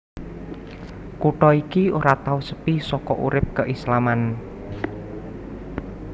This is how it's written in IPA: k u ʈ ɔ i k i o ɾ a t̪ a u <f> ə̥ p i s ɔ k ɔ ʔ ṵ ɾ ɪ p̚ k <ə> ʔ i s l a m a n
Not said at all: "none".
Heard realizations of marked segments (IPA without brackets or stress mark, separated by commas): s, ə